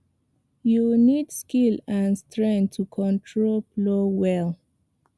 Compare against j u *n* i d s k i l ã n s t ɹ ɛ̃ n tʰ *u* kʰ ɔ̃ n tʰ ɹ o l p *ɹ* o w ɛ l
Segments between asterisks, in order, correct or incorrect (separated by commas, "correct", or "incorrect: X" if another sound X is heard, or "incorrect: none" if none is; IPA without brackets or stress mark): correct, correct, incorrect: l